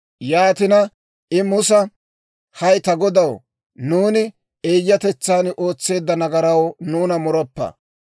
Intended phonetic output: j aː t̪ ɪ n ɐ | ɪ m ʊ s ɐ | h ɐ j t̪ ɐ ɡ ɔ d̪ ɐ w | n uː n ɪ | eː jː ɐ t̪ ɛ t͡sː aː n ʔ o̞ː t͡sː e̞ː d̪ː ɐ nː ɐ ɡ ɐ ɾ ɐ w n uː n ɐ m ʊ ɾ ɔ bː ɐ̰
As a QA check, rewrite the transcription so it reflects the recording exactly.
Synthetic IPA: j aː t̪ ɪ n ɐ | ɪ m ʊ s ɐ | h ɐ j t̪ ɐ ɡ ɔ d̪ ɐ w | n uː n ɪ | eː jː ɐ t̪ ɛ t͡sː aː n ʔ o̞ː t͡sː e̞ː d̪ː ɐ n ɐ ɡ ɐ ɾ ɐ w n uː n ɐ m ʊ ɾ ɔ pː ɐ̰